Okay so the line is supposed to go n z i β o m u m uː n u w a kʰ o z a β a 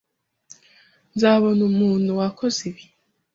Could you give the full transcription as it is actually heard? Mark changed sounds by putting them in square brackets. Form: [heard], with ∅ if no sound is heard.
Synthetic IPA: n z [a] β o [n] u m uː n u w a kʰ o z [i] β [i]

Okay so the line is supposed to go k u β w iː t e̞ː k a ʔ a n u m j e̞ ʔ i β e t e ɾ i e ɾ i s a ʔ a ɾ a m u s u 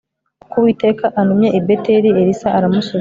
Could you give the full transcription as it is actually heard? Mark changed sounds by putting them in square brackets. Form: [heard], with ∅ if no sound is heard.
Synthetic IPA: k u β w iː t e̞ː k a ʔ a n u m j e̞ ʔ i [b] e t e ɾ i e ɾ i s a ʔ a ɾ a m u s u

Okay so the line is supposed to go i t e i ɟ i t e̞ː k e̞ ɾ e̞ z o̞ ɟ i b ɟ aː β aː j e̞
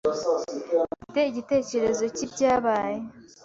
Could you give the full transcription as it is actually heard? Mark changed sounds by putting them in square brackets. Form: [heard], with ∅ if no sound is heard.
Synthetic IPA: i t e i ɟ i t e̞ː [c] e̞ ɾ e̞ z o̞ [c] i b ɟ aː β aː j e̞

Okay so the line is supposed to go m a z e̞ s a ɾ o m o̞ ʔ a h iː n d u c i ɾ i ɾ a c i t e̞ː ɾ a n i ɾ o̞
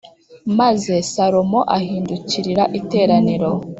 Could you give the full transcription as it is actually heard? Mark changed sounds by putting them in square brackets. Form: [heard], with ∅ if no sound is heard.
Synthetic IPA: m a z e̞ s a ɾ o m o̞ ʔ a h iː n d u c i ɾ i ɾ a [ʔ] i t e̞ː ɾ a n i ɾ o̞

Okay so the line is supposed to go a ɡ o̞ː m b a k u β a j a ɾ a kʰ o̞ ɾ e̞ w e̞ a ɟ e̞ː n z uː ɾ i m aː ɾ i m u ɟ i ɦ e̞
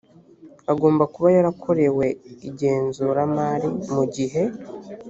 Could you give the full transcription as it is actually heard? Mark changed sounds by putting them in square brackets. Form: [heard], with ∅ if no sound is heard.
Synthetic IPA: a ɡ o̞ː m b a k u β a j a ɾ a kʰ o̞ ɾ e̞ w e̞ [i] ɟ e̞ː n z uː ɾ [a] m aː ɾ i m u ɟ i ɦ e̞

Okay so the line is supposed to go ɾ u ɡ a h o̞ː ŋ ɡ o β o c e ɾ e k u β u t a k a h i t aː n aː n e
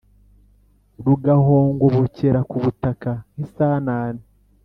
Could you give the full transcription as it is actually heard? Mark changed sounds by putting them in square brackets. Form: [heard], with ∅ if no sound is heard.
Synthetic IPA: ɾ u ɡ a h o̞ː ŋ ɡ o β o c e ɾ [a] k u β u t a k a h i [s] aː n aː n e

